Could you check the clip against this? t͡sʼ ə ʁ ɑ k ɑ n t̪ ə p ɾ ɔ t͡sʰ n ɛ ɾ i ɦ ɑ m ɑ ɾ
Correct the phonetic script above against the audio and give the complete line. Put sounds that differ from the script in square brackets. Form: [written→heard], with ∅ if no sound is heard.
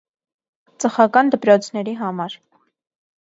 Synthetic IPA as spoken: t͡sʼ ə [ʁ→χ] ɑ k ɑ n [t̪→d̪] ə p ɾ ɔ t͡sʰ n ɛ ɾ i ɦ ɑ m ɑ ɾ